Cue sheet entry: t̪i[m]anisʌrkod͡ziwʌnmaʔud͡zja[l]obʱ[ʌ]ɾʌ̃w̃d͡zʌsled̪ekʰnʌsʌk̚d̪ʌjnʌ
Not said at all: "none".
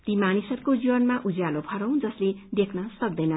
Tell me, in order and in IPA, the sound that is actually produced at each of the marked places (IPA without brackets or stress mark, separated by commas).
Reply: m, l, ʌ